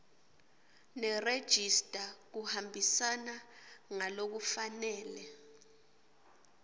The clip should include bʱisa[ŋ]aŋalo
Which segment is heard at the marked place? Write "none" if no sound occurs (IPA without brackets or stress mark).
n